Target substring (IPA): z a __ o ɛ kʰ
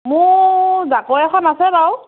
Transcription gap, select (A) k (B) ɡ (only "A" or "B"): A